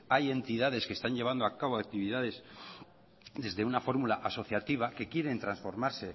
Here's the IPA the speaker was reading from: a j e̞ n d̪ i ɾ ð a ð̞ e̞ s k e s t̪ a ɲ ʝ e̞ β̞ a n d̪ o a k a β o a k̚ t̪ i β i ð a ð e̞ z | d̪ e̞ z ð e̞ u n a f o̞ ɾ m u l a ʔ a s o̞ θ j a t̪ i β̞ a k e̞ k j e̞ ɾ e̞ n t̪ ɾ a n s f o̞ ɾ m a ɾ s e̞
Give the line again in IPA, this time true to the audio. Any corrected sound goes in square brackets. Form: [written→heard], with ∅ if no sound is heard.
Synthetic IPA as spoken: a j e̞ n [d̪→t̪] i [ɾ→∅] ð a ð̞ e̞ s k e s t̪ a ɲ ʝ e̞ β̞ a n d̪ o a k a β o a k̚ t̪ i β i ð a ð e̞ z | d̪ e̞ z ð e̞ u n a f o̞ ɾ m u l a ʔ a s o̞ θ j a t̪ i β̞ a k e̞ k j e̞ ɾ e̞ n t̪ ɾ a n s f o̞ ɾ m a ɾ s e̞

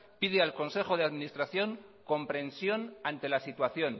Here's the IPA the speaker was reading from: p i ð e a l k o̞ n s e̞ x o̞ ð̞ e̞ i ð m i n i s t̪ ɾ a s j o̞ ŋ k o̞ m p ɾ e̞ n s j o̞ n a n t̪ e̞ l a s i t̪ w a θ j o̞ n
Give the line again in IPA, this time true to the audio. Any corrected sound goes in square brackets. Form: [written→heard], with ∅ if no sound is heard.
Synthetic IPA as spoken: p i ð e a l k o̞ n s e̞ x o̞ ð̞ e̞ [i→a] ð m i n i s t̪ ɾ a [s→θ] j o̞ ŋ k o̞ m p ɾ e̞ n s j o̞ n a n t̪ e̞ l a s i t̪ w a θ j o̞ n

